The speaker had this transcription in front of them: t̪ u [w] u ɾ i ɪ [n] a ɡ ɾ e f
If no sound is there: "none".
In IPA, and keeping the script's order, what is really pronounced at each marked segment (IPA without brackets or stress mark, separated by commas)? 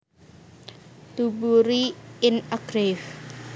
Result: b, n